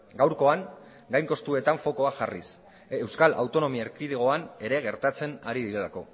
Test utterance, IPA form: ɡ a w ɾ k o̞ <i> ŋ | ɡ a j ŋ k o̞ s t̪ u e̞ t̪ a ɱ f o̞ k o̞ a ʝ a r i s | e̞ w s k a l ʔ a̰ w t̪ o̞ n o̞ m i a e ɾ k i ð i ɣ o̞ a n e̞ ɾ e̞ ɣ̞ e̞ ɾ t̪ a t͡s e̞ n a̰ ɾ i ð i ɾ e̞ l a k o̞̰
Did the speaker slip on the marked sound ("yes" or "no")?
yes